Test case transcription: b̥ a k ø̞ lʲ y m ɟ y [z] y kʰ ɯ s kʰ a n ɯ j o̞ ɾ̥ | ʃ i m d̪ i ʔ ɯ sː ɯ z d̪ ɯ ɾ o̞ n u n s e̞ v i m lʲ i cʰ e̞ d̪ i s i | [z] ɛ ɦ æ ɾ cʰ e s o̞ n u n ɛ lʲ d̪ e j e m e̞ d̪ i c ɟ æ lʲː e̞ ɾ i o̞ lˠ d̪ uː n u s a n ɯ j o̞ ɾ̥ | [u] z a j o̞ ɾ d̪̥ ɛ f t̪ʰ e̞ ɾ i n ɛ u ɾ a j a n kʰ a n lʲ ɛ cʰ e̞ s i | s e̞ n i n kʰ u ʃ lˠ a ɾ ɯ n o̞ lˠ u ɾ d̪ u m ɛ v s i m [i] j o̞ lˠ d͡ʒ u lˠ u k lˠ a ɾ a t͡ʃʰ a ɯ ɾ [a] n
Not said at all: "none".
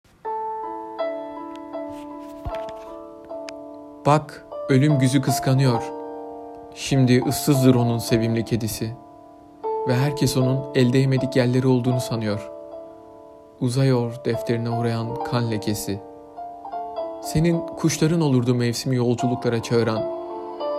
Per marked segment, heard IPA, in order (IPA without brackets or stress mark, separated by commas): z, v, u, i, a